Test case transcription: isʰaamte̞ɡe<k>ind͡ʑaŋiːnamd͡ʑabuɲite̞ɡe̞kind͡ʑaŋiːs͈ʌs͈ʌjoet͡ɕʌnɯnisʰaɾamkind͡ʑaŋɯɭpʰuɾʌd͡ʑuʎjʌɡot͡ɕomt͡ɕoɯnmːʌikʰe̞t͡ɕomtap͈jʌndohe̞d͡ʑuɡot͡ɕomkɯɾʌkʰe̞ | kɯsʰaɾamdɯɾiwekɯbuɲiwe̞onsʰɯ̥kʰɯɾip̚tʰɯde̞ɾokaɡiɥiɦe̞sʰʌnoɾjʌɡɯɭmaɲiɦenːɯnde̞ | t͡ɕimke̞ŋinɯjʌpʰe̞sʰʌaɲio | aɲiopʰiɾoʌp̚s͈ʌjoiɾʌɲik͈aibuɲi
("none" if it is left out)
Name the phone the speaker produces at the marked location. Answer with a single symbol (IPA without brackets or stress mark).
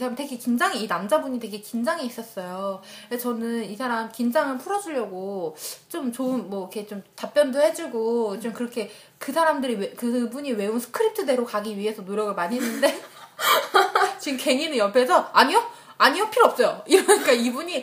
k